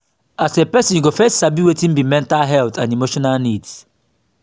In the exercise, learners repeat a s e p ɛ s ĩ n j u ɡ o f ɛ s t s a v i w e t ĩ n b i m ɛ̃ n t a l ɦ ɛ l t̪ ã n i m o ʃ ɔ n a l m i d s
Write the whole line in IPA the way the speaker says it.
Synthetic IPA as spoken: a s e p ɛ s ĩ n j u ɡ o f ɛ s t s a b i w e t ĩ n b i m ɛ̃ n t a l ɦ ɛ l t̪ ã n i m o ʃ ɔ n a l n i d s